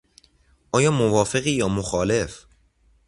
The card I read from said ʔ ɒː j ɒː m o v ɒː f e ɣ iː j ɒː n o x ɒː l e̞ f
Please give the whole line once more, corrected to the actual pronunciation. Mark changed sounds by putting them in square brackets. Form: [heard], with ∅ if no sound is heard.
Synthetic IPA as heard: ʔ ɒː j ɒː m o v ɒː f e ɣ iː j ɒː [m] o x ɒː l e̞ f